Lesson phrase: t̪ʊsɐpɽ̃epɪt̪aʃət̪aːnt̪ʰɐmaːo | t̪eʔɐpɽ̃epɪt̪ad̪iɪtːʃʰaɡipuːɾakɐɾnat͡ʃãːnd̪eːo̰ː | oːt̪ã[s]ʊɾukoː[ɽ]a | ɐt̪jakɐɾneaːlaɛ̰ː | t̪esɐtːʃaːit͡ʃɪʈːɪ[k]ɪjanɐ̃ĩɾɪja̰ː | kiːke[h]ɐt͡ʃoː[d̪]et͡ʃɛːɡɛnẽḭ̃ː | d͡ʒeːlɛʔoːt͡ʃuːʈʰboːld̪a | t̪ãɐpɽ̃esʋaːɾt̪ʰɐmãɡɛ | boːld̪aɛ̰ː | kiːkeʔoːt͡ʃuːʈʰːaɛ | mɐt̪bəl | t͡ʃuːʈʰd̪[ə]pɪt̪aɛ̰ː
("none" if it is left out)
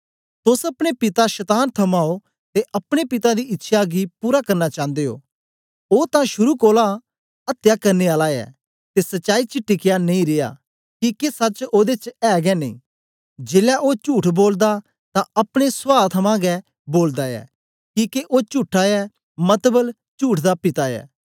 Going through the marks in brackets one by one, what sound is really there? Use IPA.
ʃ, l, k, s, d̪, a

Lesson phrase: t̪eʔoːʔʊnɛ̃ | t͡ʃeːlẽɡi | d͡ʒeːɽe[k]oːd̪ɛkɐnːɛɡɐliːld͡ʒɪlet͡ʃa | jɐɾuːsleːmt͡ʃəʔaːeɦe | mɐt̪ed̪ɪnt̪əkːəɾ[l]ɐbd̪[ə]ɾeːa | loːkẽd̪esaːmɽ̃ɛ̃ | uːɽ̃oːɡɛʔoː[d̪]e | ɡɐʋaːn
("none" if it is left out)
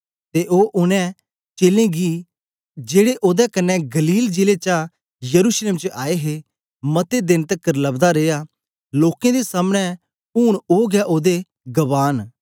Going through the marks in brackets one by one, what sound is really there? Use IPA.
ʔ, l, a, d̪

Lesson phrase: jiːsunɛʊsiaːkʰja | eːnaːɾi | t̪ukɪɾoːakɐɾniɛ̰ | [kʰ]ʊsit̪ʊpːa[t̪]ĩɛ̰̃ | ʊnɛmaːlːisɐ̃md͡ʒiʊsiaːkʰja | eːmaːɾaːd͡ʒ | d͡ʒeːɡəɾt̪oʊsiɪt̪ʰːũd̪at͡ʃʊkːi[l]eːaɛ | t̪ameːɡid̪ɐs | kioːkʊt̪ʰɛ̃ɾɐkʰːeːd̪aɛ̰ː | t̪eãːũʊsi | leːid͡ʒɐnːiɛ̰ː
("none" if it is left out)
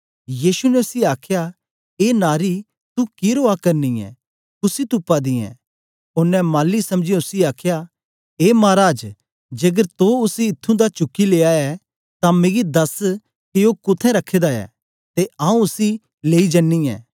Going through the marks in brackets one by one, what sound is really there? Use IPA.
k, d̪, l

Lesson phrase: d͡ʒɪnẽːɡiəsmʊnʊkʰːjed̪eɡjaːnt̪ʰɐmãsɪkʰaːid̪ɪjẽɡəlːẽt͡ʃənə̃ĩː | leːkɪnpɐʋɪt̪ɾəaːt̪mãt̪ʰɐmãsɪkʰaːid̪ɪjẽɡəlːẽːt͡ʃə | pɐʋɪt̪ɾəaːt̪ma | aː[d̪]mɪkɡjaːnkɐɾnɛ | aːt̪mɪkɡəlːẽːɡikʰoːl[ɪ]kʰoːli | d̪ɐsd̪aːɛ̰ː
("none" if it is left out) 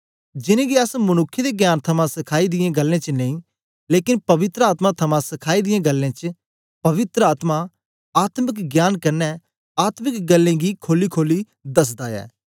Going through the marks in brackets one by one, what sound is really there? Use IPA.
t̪, i

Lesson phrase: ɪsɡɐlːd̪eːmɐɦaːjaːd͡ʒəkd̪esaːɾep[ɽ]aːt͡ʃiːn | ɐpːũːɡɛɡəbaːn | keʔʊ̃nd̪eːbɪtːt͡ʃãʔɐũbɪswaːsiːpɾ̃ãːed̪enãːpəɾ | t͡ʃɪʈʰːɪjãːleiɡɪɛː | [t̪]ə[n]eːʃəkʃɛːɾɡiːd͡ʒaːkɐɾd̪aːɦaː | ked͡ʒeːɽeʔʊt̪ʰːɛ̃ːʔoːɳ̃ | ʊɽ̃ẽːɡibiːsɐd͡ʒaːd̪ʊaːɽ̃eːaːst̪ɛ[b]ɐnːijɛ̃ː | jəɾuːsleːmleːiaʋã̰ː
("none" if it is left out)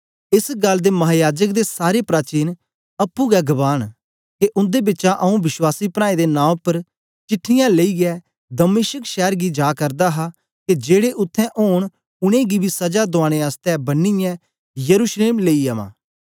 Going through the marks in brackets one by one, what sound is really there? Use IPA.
ɾ, d̪, m, b

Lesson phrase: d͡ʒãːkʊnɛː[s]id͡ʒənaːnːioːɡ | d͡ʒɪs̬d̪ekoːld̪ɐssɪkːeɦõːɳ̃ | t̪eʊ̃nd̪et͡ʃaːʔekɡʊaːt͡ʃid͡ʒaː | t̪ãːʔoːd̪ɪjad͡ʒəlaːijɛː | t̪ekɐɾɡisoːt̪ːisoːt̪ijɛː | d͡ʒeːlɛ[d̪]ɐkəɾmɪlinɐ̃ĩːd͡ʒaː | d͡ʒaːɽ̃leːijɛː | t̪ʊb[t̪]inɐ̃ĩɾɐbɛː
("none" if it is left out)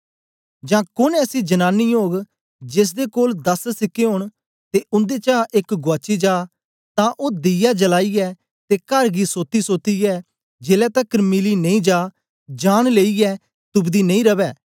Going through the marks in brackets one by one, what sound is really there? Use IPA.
s, t̪, d̪

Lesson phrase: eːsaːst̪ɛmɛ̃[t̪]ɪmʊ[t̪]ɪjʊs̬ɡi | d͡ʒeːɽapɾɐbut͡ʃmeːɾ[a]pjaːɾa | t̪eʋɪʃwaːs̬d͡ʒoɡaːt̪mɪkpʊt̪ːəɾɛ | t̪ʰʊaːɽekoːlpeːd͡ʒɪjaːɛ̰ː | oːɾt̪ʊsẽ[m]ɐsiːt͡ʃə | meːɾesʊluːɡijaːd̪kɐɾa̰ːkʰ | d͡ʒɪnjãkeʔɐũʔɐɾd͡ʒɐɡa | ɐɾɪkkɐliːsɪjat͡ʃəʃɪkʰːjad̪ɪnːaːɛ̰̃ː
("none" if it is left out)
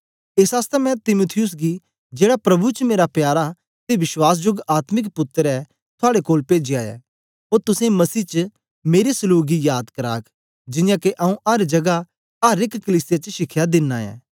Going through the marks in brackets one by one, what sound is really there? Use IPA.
t̪, t̪ʰ, a, m

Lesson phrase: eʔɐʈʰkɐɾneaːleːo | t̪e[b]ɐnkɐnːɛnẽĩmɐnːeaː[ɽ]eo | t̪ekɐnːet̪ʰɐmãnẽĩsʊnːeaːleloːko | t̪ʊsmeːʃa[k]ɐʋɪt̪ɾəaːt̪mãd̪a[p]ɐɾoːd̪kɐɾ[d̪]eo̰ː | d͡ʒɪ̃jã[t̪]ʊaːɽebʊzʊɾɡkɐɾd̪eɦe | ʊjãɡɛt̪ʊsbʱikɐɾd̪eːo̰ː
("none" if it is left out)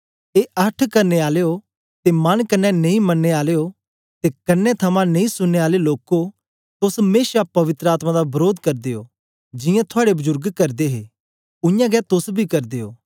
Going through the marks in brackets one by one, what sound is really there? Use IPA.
m, l, p, b, d̪, t̪ʰ

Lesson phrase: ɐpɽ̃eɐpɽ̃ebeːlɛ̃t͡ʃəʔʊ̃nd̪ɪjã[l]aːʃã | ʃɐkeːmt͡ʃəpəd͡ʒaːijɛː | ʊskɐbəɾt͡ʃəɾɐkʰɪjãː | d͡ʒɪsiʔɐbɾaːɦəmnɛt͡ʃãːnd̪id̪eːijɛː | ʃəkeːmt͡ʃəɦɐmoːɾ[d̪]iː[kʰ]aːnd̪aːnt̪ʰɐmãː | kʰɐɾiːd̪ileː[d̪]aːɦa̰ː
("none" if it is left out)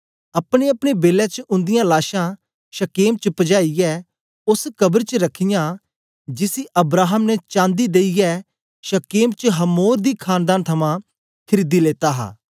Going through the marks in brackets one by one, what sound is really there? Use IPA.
l, d̪, kʰ, t̪

